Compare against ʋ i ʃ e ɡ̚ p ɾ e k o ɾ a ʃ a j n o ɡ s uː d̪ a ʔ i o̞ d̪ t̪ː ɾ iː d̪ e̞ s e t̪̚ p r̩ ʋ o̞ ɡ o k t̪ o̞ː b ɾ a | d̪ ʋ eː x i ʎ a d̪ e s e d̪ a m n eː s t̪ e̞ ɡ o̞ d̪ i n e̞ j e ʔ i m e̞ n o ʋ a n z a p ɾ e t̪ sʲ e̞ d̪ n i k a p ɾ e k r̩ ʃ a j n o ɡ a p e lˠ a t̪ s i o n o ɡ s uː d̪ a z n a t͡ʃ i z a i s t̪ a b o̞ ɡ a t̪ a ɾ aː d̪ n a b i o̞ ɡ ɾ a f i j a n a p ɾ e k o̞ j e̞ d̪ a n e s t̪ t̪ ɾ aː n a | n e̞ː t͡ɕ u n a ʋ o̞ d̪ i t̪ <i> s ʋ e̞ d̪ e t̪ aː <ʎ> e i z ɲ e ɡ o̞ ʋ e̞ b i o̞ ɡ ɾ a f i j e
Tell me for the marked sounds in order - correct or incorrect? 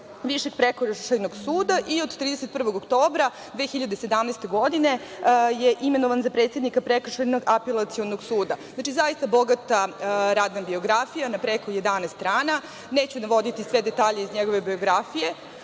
correct, correct

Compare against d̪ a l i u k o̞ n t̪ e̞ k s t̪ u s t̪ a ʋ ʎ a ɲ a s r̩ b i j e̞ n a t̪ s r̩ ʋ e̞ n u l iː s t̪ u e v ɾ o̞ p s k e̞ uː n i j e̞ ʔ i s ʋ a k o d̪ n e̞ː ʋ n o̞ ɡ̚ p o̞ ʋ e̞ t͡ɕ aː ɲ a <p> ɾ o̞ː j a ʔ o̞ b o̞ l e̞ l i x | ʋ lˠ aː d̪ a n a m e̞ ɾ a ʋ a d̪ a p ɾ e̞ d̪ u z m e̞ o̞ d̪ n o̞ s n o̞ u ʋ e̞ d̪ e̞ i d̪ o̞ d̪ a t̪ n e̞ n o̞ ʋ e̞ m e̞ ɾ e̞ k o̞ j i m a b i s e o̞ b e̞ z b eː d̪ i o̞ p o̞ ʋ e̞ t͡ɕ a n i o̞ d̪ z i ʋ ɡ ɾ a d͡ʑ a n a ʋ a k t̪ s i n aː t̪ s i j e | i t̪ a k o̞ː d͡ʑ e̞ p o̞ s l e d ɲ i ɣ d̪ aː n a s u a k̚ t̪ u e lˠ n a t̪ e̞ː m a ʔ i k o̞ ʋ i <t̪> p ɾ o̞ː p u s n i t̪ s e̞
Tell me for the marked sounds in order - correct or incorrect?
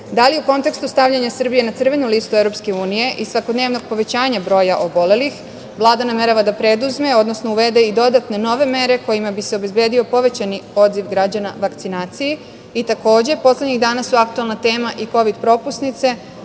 incorrect: b, incorrect: d̪

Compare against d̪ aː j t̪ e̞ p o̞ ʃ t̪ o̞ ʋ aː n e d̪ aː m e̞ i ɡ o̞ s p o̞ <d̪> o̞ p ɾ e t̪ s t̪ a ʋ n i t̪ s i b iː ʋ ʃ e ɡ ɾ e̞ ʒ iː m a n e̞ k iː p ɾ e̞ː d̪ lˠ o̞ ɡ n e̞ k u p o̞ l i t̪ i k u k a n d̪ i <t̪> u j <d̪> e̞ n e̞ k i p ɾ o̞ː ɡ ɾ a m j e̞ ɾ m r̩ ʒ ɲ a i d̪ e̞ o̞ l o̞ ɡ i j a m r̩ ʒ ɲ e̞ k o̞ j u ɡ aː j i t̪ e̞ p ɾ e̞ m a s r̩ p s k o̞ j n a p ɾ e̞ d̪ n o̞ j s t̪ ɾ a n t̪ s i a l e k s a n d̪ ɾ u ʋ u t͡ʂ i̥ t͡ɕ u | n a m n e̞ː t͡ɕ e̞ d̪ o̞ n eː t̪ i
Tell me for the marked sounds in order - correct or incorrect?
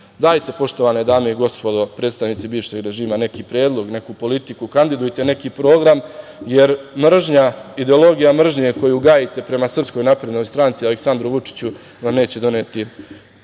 correct, incorrect: d̪, incorrect: t̪

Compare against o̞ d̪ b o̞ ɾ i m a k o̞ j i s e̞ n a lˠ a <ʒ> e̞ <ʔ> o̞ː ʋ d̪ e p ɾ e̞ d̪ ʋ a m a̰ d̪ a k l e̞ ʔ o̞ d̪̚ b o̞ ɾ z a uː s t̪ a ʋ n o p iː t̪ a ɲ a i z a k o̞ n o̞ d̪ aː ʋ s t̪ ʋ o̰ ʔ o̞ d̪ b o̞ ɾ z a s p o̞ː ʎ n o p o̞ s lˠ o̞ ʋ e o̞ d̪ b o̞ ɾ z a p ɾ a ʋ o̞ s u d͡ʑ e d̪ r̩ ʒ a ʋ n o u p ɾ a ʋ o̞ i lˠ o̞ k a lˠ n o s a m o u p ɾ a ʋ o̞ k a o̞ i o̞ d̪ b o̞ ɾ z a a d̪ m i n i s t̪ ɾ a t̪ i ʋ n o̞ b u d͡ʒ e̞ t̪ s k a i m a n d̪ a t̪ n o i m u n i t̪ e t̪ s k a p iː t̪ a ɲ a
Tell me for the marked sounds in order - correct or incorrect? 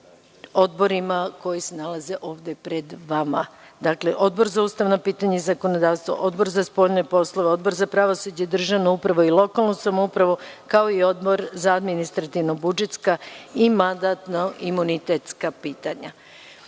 incorrect: z, correct

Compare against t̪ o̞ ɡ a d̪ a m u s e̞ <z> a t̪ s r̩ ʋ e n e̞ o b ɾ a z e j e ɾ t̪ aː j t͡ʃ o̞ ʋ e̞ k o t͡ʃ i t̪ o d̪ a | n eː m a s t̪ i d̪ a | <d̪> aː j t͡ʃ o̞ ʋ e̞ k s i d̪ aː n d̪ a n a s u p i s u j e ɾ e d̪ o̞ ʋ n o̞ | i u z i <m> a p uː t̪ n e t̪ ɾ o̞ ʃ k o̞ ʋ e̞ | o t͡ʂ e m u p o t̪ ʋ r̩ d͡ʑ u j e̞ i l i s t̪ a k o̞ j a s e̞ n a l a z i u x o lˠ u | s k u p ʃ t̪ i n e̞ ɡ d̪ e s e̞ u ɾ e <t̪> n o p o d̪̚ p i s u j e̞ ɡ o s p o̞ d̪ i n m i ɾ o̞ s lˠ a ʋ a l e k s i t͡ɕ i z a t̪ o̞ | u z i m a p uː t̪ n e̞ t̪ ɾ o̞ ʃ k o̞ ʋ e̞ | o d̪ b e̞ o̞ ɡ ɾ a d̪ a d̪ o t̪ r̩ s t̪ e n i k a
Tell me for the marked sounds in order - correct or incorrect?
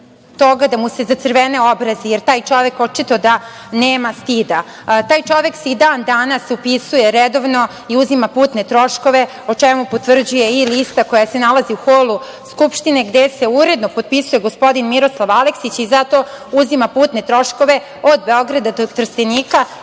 correct, incorrect: t̪, correct, incorrect: d̪

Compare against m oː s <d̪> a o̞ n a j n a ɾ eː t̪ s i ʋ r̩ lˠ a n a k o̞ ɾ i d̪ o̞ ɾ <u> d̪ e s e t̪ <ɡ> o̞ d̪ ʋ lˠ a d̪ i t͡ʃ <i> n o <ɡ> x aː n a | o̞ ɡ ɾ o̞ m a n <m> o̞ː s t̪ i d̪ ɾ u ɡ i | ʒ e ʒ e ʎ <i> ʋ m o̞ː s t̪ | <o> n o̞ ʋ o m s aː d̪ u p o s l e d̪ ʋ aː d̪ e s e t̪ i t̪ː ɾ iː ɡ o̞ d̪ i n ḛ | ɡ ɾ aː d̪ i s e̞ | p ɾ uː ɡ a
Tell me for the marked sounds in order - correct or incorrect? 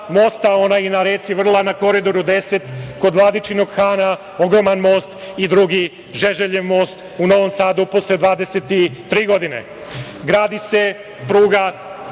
incorrect: t̪, correct, incorrect: k, correct, correct, correct, incorrect: e, incorrect: u

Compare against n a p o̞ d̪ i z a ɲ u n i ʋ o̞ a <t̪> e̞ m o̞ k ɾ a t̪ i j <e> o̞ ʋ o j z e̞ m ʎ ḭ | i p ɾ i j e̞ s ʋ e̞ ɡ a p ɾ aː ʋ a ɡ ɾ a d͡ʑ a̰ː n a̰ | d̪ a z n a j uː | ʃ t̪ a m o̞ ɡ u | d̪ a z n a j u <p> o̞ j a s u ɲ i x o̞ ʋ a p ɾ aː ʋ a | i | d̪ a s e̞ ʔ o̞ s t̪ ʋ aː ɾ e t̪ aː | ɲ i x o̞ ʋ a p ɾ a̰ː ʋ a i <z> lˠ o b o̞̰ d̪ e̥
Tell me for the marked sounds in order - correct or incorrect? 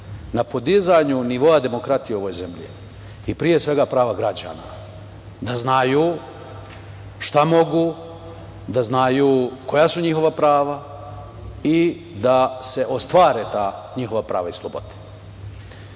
incorrect: d̪, correct, incorrect: k, incorrect: s

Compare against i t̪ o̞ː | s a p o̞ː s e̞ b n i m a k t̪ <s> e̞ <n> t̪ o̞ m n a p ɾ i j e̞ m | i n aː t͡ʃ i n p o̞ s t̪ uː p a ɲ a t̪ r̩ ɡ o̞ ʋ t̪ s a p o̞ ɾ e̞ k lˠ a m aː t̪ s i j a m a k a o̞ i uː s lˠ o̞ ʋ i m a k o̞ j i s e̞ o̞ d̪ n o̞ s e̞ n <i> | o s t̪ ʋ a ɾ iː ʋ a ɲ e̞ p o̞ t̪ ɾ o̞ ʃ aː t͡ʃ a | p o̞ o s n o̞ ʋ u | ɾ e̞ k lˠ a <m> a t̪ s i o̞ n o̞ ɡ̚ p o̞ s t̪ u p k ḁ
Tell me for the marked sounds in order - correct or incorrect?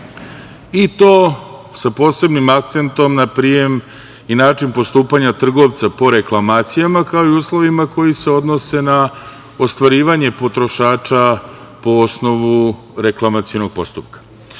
correct, correct, incorrect: a, correct

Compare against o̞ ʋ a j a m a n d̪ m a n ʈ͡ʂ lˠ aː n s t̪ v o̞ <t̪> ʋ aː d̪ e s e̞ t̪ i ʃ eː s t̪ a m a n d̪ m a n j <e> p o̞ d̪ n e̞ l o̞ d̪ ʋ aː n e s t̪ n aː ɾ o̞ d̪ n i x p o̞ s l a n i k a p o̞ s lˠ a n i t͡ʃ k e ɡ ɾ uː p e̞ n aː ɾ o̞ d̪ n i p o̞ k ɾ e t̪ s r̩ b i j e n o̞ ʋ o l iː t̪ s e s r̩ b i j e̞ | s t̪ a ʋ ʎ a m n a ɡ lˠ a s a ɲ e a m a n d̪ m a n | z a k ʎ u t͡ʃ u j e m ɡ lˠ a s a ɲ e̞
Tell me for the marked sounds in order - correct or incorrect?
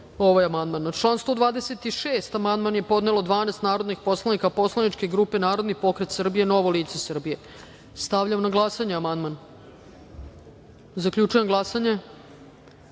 incorrect: d̪, correct

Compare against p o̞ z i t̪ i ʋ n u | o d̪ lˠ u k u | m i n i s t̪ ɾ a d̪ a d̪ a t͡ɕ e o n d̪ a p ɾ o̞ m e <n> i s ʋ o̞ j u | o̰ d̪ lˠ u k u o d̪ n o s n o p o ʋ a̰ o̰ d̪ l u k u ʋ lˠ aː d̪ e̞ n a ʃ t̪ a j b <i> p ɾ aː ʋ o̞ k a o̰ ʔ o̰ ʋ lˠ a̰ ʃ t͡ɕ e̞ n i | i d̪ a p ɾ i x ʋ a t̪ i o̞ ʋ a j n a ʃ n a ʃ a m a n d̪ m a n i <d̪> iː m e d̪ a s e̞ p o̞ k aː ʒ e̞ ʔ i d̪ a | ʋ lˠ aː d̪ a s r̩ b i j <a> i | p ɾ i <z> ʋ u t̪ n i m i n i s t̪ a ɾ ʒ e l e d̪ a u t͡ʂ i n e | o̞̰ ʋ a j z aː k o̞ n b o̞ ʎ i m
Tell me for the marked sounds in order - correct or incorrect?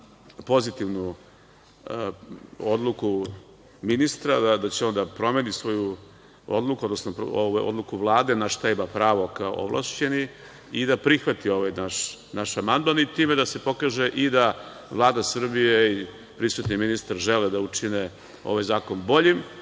correct, incorrect: a, incorrect: t̪, incorrect: e, incorrect: s

